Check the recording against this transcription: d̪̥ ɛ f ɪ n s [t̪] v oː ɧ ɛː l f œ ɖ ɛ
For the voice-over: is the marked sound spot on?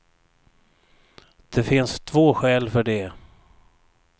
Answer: no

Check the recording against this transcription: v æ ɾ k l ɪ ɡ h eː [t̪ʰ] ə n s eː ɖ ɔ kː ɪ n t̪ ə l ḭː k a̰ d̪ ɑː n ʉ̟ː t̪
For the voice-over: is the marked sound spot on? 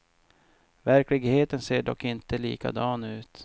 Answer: no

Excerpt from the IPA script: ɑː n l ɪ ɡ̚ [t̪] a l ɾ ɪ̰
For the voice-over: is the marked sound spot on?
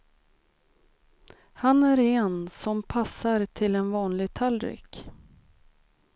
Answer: no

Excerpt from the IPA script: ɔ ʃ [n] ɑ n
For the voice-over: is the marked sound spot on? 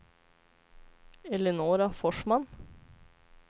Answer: no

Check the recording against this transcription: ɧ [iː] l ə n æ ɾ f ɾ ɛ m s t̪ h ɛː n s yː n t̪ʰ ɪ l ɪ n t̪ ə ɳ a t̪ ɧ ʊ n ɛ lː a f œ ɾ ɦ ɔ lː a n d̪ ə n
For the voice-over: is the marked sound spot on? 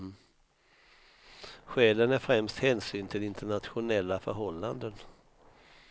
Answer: no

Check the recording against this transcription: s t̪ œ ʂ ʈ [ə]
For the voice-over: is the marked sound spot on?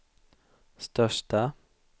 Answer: no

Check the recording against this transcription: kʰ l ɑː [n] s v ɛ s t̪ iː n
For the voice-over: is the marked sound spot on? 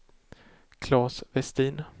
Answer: no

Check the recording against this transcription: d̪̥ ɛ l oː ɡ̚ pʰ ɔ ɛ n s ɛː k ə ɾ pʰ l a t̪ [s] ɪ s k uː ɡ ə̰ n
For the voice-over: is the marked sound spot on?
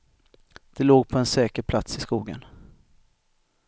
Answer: yes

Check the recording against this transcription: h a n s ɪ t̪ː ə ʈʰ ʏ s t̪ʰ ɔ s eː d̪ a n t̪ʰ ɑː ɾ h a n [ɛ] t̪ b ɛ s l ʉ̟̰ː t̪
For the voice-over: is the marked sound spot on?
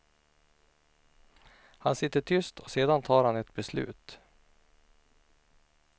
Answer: yes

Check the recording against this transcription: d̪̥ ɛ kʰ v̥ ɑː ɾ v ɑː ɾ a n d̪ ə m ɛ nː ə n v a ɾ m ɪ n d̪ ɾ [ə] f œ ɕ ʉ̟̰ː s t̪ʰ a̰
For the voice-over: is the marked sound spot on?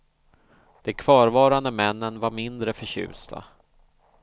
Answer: yes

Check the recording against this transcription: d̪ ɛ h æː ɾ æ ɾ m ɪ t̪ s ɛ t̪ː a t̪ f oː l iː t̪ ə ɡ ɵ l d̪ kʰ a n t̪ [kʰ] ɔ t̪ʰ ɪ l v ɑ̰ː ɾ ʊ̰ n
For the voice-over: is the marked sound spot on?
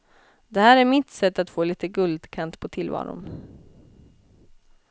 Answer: no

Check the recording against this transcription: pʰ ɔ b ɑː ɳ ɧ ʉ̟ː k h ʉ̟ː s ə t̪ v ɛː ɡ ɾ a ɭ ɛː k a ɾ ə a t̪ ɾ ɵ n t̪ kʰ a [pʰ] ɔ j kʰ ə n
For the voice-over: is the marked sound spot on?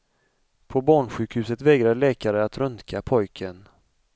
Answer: yes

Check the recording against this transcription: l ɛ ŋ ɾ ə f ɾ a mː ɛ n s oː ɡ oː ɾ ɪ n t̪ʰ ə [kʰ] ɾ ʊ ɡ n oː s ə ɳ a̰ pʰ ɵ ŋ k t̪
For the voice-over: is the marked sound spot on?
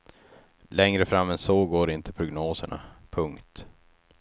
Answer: no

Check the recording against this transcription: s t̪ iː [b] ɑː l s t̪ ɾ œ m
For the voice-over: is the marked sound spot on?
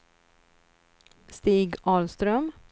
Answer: no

